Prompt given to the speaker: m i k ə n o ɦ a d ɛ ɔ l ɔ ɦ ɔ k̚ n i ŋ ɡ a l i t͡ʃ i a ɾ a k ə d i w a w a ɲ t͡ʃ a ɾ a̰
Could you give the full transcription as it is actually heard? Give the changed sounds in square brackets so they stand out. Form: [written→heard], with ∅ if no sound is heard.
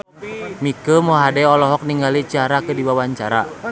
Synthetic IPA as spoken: m i k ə [n→m] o ɦ a d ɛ ɔ l ɔ ɦ ɔ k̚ n i ŋ ɡ a l i t͡ʃ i a ɾ a k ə d i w a w a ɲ t͡ʃ a ɾ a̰